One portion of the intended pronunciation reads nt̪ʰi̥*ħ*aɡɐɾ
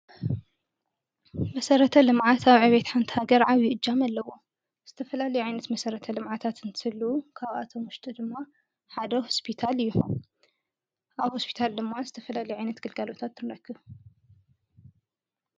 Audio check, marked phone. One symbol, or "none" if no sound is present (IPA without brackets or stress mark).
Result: h